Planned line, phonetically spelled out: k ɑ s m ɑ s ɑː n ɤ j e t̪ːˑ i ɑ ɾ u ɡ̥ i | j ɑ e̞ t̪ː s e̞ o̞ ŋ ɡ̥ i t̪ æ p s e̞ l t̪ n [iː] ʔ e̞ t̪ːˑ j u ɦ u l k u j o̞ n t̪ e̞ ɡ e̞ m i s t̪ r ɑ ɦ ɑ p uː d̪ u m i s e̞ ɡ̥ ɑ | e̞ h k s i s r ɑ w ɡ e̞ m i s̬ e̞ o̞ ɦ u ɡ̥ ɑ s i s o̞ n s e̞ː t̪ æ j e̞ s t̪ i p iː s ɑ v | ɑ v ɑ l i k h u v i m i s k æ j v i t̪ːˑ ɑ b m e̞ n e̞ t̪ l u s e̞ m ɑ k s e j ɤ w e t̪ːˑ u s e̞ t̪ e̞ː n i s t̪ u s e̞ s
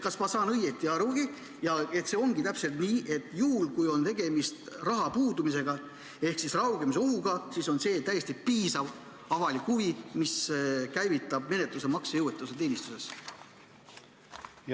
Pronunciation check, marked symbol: correct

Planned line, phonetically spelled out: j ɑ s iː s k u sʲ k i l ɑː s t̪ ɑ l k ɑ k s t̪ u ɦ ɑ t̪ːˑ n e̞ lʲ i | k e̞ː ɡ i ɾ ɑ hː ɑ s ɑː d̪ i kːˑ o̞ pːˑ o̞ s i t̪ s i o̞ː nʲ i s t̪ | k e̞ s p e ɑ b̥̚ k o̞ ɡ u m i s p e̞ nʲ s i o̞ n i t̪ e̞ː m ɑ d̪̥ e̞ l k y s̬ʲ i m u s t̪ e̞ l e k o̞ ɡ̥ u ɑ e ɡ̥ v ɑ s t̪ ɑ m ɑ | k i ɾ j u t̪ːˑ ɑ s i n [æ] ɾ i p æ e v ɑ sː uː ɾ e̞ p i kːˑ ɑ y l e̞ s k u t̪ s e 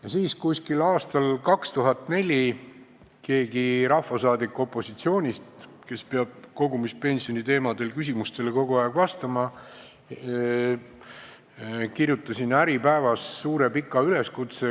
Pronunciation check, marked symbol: correct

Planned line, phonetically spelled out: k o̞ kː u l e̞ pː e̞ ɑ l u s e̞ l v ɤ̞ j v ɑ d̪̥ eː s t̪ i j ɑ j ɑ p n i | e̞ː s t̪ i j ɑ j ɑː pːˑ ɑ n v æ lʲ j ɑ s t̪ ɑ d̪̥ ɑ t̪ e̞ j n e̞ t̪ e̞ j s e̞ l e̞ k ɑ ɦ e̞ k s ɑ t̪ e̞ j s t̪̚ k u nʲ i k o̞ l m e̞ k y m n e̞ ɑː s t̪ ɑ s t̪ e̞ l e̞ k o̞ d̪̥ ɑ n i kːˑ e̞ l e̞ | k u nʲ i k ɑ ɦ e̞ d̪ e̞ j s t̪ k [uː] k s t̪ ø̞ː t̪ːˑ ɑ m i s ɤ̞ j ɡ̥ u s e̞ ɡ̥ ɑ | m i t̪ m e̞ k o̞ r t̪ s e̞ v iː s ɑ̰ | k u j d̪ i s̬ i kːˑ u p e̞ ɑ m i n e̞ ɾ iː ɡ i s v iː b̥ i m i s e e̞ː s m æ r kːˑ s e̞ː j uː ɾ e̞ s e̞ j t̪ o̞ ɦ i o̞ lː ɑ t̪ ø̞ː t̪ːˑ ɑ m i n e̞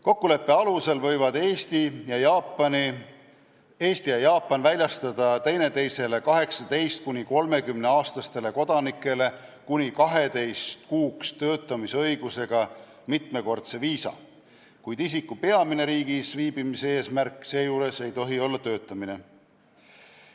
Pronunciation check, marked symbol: correct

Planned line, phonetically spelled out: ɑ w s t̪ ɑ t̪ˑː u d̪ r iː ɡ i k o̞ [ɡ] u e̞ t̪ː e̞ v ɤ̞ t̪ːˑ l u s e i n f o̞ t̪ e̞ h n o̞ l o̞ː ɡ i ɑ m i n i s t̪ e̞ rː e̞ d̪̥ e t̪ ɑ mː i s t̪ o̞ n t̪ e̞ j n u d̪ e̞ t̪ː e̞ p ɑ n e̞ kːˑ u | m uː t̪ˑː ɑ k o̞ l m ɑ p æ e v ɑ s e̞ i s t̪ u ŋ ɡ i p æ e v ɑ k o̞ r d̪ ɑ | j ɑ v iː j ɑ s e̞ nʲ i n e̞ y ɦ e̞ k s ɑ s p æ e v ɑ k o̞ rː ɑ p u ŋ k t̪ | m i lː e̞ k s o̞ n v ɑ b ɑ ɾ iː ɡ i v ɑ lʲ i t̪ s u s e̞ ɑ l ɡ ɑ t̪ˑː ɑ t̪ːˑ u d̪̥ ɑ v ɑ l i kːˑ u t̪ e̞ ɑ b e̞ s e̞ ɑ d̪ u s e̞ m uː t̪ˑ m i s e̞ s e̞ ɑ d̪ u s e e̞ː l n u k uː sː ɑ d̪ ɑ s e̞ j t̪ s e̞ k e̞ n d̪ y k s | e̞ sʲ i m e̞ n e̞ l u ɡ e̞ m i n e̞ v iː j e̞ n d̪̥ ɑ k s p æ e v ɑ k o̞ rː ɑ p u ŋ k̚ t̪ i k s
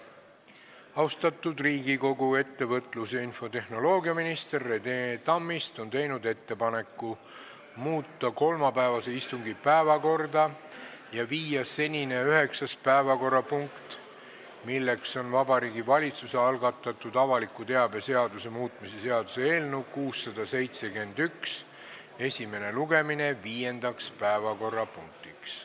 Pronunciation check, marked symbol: correct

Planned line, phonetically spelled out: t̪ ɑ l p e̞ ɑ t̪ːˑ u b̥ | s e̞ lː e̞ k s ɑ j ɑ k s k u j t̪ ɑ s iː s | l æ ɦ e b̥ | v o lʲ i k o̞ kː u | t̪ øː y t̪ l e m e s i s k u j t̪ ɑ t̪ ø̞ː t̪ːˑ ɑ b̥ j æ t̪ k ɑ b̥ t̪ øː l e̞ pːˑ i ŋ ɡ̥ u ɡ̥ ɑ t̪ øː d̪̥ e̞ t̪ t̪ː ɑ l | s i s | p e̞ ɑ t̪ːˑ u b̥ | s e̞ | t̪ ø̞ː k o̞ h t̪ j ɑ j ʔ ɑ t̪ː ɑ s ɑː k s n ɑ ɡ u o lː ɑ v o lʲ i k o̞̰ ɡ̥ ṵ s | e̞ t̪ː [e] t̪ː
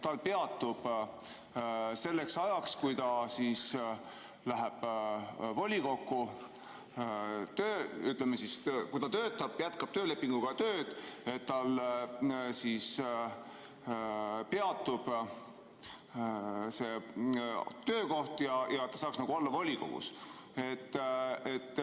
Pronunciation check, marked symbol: correct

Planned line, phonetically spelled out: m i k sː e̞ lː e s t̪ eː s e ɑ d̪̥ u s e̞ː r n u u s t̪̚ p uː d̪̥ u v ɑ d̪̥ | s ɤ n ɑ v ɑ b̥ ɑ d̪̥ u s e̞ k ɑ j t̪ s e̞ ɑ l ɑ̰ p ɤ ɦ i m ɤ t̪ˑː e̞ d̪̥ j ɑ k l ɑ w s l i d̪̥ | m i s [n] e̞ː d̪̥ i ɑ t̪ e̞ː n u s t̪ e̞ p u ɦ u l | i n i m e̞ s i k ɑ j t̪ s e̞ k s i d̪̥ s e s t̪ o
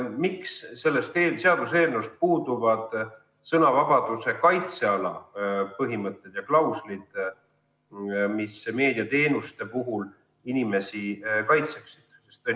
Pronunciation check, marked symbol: incorrect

